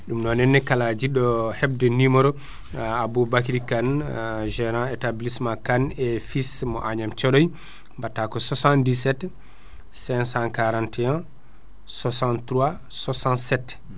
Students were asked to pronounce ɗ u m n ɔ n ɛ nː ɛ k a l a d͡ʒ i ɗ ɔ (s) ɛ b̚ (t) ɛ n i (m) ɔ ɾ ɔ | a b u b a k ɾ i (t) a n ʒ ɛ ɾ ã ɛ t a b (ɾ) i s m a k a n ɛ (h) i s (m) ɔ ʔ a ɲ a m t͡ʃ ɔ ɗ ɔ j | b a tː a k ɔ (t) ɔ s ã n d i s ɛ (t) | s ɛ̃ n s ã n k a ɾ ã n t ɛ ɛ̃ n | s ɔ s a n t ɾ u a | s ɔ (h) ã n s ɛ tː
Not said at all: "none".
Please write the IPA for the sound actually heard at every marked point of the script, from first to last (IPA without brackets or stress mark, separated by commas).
h, d, m, k, l, f, m, s, t, s